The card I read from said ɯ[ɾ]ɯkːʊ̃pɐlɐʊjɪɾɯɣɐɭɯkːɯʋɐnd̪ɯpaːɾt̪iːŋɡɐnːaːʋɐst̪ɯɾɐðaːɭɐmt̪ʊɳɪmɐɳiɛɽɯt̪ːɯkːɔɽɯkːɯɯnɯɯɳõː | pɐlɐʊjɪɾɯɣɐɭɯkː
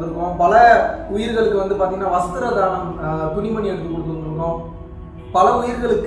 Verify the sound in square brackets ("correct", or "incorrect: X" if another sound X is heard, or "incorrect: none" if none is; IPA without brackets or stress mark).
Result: correct